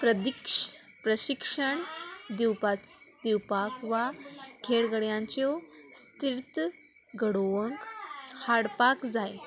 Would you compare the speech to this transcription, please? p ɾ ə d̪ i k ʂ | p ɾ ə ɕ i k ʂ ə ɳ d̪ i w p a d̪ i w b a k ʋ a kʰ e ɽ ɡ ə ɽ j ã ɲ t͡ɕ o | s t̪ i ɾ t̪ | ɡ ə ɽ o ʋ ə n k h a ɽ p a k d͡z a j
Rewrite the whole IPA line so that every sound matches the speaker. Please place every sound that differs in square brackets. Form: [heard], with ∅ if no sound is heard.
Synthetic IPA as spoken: p ɾ ə d̪ i k ʂ | p ɾ ə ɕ i k ʂ ə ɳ d̪ i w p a d̪ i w [p] a k ʋ a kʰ e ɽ ɡ ə ɽ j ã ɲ t͡ɕ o | s t̪ i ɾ t̪ | ɡ ə ɽ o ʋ ə [ŋ] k h a ɽ p a k d͡z a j